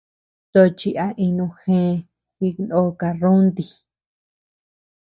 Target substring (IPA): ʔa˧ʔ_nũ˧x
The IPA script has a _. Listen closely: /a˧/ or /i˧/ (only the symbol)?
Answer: i˧